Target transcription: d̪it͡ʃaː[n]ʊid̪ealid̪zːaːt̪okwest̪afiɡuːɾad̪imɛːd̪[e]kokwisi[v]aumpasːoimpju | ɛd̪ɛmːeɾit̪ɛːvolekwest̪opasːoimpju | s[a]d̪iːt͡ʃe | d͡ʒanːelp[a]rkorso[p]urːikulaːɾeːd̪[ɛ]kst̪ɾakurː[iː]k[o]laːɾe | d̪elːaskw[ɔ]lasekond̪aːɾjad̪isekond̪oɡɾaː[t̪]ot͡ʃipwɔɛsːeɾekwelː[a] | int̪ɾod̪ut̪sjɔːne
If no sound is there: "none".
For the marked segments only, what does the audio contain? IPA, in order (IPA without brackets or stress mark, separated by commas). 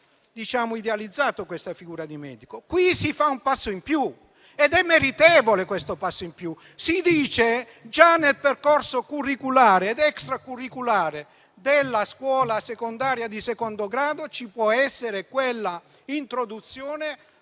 m, i, f, i, e, k, ɛ, i, u, ɔː, d̪, a